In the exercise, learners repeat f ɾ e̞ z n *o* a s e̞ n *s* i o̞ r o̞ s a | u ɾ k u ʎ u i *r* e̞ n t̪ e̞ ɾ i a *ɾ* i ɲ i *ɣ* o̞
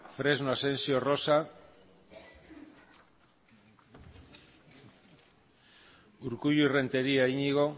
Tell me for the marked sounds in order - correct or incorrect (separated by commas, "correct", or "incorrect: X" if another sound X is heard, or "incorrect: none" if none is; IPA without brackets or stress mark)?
correct, correct, correct, incorrect: none, correct